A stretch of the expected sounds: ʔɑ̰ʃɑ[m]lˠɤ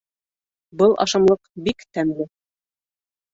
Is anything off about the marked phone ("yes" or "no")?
no